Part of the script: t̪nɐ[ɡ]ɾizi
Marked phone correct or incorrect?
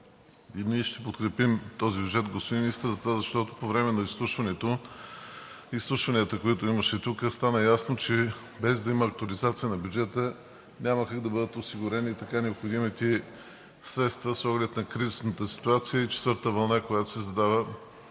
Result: incorrect